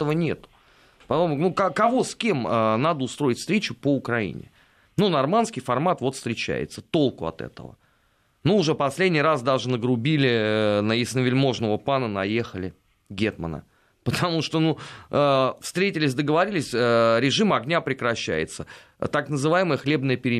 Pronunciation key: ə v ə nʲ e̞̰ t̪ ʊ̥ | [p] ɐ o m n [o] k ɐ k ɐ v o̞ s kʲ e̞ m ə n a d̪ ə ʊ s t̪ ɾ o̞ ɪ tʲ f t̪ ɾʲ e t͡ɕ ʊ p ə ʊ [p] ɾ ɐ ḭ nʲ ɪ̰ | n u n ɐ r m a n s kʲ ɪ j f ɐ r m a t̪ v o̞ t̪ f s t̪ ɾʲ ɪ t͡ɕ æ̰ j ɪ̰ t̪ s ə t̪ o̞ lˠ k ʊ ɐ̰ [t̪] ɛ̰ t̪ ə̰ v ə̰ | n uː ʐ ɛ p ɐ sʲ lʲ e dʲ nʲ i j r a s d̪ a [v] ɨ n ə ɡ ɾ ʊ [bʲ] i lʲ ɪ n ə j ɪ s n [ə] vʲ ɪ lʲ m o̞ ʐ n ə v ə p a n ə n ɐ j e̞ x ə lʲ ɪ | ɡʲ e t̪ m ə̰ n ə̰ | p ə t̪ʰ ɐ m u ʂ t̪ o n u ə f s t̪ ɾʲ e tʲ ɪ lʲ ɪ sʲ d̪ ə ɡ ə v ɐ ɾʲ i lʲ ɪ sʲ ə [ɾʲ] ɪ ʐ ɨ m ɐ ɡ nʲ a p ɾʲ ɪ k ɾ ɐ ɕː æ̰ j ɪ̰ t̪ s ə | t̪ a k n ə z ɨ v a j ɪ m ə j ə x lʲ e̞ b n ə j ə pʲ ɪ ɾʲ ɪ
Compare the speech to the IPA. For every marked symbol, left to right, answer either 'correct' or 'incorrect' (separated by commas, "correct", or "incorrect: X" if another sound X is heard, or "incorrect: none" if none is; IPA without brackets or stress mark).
correct, incorrect: u, incorrect: k, correct, incorrect: ʐ, correct, correct, correct